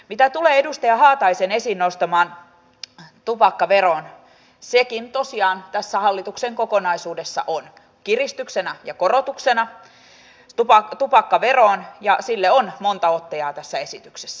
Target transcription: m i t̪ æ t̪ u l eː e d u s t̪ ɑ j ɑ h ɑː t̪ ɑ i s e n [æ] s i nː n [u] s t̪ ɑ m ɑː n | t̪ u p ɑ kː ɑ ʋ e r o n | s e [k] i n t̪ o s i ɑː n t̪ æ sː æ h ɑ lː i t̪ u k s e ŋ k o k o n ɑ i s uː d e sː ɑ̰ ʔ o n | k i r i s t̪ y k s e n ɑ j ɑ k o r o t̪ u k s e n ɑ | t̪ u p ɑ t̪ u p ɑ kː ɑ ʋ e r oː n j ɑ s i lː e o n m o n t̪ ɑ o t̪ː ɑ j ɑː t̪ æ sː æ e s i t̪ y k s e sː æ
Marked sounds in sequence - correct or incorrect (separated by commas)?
incorrect, incorrect, correct